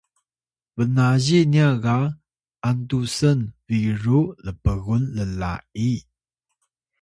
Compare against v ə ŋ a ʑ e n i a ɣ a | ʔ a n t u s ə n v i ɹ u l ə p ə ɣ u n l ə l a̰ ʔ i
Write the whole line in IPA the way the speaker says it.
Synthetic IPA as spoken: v ə n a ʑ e n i a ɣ a | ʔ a n t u s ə n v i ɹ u l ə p ə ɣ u n l ə l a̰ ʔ i